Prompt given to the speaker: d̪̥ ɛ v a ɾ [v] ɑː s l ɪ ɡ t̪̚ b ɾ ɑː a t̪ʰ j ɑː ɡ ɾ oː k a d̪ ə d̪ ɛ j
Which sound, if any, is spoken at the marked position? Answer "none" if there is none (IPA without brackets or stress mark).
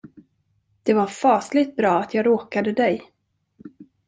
f